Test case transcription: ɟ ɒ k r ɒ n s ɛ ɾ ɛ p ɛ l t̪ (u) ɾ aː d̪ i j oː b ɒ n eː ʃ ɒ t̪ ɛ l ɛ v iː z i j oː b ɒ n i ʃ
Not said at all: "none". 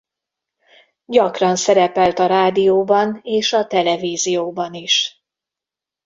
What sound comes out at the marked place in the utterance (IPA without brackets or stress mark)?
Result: ɒ